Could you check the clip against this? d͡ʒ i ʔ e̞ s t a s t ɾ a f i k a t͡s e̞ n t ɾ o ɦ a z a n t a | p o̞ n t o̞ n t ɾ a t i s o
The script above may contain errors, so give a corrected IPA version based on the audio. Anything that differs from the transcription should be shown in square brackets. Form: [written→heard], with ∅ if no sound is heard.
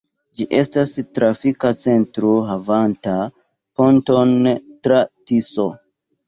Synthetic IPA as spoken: d͡ʒ i ʔ e̞ s t a s t ɾ a f i k a t͡s e̞ n t ɾ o ɦ a [z→v] a n t a | p o̞ n t o̞ n t ɾ a t i s o

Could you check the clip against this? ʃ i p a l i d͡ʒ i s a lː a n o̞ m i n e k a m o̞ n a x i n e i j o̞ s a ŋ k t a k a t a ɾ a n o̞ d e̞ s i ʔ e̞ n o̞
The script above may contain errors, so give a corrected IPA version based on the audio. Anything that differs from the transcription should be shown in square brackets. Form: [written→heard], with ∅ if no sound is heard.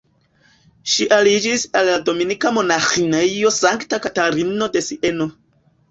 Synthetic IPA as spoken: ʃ i [p→ʔ] a l i d͡ʒ i s a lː a [n→d] o̞ m i n [e→i] k a m o̞ n a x i n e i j o̞ s a ŋ k t a k a t a ɾ [a→i] n o̞ d e̞ s i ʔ e̞ n o̞

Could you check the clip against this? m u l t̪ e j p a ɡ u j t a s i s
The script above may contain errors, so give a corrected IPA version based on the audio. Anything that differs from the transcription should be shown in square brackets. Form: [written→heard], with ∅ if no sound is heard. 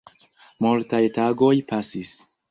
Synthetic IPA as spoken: m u l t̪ [e→a] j [p→t] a ɡ [u→o] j [t→p] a s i s

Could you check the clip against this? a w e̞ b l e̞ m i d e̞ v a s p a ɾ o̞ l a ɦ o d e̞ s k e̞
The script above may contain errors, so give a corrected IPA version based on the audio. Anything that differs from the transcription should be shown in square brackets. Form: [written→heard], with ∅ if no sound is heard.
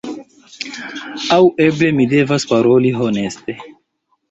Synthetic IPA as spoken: a w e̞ b l e̞ m i d e̞ v a s p a ɾ o̞ l [a→i] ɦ o [d→n] e̞ s [k→t] e̞

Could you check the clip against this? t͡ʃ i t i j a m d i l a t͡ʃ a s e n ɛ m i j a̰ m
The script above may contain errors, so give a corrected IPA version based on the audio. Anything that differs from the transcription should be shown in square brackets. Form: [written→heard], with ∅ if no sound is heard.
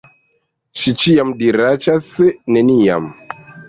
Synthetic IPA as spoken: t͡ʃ i [t→t͡ʃ] i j a m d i [l→ɾ] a t͡ʃ a s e n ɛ [m→n] i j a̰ m

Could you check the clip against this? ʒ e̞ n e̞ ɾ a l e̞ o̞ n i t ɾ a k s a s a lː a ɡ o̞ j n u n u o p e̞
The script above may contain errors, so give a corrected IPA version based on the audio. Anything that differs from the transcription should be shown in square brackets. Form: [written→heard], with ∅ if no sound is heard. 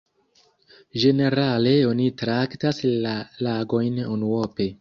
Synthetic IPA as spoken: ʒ e̞ n e̞ ɾ a l e̞ o̞ n i t ɾ a k [s→t] a s a [lː→l] a ɡ o̞ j n u n u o p e̞

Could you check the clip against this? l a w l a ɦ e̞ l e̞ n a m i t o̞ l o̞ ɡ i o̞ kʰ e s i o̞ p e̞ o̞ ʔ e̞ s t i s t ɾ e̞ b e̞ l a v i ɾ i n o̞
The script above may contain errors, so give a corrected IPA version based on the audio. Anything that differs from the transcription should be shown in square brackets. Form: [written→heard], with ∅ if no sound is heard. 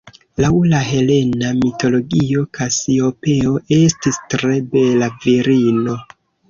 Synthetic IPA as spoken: l a w l a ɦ e̞ l e̞ n a m i t o̞ l o̞ ɡ i o̞ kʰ [e→a] s i o̞ p e̞ o̞ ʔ e̞ s t i s t ɾ e̞ b e̞ l a v i ɾ i n o̞

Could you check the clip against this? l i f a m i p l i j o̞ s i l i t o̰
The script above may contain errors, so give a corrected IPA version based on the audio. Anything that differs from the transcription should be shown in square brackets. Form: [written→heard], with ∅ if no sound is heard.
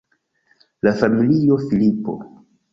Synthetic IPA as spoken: l [i→a] f a m i [p→∅] l i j o̞ [s→f] i l i [t→p] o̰

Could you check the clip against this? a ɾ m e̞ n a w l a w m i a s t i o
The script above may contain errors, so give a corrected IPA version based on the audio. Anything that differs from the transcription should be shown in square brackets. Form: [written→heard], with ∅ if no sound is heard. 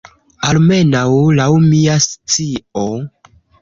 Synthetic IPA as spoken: a [ɾ→l] m e̞ n a w l a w m i a s [t→t͡s] i o

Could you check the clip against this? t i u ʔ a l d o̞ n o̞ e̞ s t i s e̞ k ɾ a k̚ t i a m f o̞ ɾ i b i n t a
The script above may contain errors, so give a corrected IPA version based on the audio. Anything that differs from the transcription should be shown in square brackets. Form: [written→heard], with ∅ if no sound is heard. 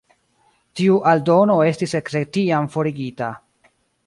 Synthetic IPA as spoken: t i u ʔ a l d o̞ n o̞ e̞ s t i s e̞ k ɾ [a→e] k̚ t i a m f o̞ ɾ i [b→ɡ] i [n→∅] t a

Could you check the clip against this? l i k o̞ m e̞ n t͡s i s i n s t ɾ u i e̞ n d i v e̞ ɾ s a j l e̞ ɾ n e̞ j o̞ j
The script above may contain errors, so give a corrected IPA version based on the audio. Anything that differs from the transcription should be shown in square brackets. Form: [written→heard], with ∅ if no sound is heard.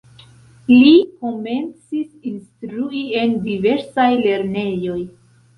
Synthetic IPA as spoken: l i k o̞ m e̞ n t͡s i s i n s t ɾ u i e̞ n d i v e̞ ɾ s a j l e̞ ɾ n e̞ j o̞ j

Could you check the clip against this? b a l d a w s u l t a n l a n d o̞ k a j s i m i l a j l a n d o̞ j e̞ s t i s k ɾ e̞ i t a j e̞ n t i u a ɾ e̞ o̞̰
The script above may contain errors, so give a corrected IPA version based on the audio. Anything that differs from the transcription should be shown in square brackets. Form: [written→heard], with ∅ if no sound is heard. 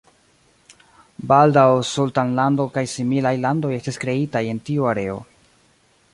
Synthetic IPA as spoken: b a l d a w s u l t a n l a n d o̞ k a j s i m i l a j l a n d o̞ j e̞ s t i s k ɾ e̞ i t a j e̞ n t i u a ɾ e̞ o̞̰

